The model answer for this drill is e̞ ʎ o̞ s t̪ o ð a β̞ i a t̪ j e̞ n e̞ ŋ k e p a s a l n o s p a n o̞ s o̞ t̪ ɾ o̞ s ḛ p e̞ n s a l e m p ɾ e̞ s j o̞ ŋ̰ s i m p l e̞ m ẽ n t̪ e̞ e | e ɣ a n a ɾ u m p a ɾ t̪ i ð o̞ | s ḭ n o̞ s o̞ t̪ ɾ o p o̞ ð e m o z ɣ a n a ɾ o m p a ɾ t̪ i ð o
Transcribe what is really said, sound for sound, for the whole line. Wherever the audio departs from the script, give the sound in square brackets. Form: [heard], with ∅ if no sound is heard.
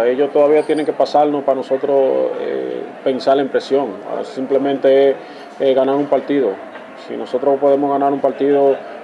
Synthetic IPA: e̞ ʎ o̞ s t̪ o ð a β̞ i a t̪ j e̞ n e̞ ŋ k e p a s a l n o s p a n o̞ s o̞ t̪ ɾ o̞ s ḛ p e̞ n s a l e m p ɾ e̞ s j o̞ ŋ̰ s i m p l e̞ m ẽ n t̪ e̞ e | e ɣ a n a ɾ u m p a ɾ t̪ i ð o̞ | s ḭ n o̞ s o̞ t̪ ɾ o p o̞ ð e m o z ɣ a n a ɾ [u] m p a ɾ t̪ i ð o